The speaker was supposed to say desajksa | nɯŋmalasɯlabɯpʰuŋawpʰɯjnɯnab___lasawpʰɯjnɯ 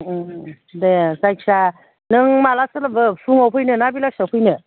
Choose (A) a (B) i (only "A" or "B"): B